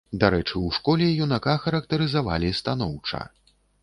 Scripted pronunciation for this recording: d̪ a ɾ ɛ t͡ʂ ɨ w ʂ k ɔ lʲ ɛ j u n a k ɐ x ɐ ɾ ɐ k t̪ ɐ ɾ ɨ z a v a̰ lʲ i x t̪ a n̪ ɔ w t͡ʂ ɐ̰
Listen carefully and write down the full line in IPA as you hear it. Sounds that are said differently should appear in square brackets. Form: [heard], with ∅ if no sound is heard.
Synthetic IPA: d̪ a ɾ ɛ t͡ʂ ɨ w ʂ k ɔ lʲ ɛ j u n a k [a] x ɐ ɾ ɐ k t̪ ɐ ɾ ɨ z a v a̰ lʲ i [s] t̪ a n̪ ɔ w t͡ʂ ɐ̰